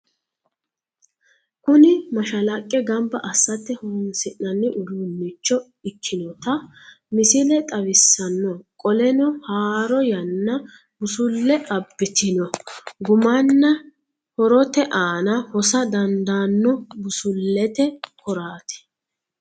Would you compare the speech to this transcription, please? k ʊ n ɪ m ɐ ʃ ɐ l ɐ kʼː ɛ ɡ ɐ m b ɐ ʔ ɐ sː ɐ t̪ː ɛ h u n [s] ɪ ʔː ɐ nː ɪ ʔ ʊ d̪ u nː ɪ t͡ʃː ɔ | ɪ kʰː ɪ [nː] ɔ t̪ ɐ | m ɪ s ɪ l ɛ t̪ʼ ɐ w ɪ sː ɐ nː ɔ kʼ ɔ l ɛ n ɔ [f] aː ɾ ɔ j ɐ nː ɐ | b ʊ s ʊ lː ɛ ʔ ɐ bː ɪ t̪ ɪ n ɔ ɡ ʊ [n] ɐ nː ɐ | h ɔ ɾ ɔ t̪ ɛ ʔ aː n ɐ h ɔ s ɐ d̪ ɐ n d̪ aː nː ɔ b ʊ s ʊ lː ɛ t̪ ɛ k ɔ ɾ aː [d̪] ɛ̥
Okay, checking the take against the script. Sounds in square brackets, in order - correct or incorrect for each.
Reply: correct, incorrect: n, incorrect: h, incorrect: m, incorrect: t̪

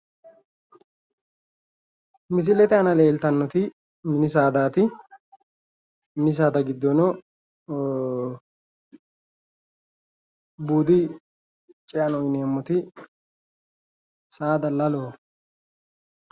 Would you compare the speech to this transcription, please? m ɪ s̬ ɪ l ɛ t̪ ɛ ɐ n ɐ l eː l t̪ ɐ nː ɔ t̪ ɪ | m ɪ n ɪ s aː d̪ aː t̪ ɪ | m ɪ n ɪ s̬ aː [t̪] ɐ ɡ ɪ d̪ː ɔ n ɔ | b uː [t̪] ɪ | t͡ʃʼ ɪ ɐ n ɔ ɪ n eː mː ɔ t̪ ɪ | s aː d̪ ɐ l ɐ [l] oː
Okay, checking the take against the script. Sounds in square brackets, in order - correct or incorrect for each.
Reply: incorrect: d̪, incorrect: d̪, correct

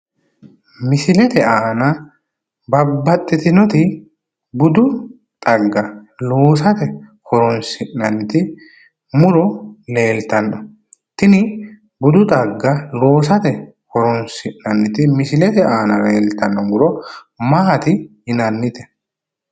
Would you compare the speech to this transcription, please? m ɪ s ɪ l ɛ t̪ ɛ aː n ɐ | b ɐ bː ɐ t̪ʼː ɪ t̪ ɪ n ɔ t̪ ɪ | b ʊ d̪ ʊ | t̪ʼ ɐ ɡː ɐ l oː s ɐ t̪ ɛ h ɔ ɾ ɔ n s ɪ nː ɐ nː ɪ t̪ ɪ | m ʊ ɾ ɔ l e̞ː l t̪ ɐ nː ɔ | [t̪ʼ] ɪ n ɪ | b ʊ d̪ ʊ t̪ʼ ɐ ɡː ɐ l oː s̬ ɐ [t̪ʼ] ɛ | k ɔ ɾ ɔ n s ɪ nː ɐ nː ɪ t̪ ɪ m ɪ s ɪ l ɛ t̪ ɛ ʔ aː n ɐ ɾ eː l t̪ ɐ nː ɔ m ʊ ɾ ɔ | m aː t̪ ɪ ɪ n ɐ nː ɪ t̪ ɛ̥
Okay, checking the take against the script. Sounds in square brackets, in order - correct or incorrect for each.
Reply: incorrect: t̪, incorrect: t̪

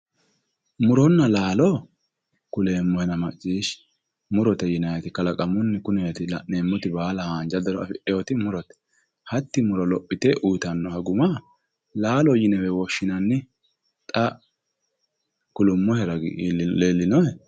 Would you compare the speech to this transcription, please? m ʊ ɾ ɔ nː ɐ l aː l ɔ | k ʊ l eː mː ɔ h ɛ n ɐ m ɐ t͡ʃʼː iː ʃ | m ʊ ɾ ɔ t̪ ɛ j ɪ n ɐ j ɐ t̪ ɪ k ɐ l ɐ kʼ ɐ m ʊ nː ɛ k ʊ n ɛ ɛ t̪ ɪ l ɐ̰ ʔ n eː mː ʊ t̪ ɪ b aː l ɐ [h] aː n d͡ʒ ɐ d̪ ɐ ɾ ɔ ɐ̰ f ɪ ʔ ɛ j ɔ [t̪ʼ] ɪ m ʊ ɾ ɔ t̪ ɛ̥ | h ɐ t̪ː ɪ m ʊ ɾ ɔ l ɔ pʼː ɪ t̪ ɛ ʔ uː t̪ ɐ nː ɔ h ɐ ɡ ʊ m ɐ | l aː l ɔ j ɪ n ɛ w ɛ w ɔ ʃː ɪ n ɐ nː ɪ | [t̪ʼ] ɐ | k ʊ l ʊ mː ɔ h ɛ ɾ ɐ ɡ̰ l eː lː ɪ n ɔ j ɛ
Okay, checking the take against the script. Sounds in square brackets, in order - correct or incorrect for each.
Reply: correct, incorrect: t̪, correct

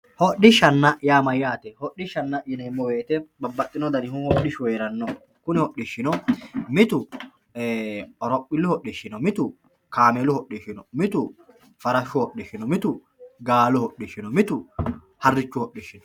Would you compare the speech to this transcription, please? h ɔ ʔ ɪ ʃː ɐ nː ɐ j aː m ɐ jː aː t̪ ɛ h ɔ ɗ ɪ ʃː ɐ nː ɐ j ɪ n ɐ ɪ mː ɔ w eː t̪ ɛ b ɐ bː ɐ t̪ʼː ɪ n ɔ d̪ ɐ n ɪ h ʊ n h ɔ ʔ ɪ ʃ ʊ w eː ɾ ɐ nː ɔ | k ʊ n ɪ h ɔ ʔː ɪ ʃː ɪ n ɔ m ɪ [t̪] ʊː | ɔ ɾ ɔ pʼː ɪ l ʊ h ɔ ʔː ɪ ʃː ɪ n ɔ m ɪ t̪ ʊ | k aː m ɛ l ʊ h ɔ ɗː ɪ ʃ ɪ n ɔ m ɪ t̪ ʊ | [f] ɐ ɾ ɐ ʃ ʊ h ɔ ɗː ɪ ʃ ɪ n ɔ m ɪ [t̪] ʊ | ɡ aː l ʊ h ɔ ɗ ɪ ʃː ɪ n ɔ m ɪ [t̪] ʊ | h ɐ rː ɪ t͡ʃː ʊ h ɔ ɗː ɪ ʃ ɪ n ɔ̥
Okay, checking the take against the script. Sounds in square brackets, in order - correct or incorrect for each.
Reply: correct, correct, correct, correct

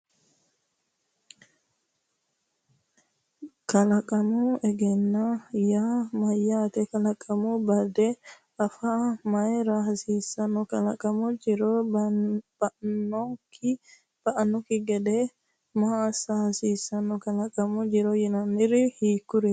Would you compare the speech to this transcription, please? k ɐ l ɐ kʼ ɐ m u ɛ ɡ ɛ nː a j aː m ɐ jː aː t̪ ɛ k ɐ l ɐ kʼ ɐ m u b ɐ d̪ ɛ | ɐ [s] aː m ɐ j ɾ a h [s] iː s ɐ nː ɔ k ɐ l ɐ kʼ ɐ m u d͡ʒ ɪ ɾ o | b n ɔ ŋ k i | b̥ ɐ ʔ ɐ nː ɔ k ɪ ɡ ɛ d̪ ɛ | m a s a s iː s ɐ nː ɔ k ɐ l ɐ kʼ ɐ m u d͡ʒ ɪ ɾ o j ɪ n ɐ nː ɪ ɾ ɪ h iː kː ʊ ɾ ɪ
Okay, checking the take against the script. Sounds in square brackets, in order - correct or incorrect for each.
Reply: incorrect: f, correct

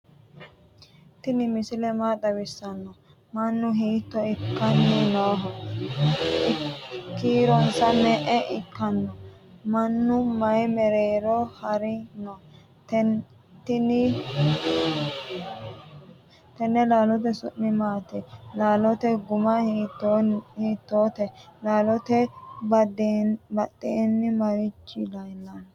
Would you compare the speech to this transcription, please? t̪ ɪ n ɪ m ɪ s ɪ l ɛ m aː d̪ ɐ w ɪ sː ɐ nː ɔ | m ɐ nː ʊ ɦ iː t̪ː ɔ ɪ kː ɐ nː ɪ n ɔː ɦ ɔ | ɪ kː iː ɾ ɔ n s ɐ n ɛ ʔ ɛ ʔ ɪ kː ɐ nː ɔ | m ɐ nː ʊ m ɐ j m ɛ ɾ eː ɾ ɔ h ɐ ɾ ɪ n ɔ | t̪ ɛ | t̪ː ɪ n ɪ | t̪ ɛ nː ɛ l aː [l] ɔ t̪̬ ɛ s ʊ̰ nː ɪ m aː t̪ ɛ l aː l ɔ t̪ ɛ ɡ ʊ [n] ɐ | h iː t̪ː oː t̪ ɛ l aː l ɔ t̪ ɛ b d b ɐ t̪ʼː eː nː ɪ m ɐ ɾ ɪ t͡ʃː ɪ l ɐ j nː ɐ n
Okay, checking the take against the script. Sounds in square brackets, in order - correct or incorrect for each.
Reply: correct, incorrect: m

